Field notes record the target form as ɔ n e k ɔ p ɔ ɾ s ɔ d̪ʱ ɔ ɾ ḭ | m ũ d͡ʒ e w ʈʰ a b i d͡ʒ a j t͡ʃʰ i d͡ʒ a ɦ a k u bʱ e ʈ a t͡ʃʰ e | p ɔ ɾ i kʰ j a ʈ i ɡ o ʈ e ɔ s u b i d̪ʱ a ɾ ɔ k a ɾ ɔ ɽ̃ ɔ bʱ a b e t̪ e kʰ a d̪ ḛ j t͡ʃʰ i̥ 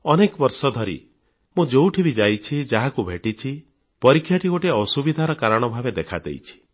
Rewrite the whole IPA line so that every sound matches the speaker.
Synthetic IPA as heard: ɔ n e k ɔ b ɔ ɾ s ɔ d̪ʱ ɔ ɾ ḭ | m ũ d͡ʒ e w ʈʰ i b i d͡ʒ a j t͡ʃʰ i d͡ʒ a ɦ a k u bʱ e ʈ i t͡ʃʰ i | p ɔ ɾ i kʰ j a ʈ i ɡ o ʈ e ɔ s u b i d̪ʱ a ɾ ɔ k a ɾ ɔ ɽ̃ ɔ bʱ a b e d̪ e kʰ a d̪ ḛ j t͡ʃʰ i̥